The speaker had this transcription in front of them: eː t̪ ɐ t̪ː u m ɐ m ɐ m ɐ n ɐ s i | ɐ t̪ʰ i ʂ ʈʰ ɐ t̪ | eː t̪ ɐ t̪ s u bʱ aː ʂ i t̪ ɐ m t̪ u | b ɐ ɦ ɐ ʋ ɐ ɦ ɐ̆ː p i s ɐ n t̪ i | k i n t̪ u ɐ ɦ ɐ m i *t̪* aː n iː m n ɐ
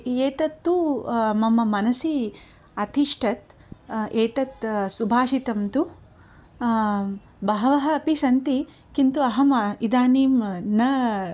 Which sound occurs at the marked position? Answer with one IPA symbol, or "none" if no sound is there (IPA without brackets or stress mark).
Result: d̪